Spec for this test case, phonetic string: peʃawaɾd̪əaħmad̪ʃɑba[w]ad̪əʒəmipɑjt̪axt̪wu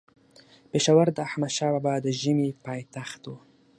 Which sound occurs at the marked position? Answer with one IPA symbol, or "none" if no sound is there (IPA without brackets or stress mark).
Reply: b